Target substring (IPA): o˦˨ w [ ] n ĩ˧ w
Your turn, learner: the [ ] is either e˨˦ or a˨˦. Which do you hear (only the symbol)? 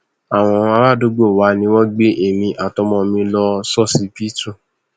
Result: a˨˦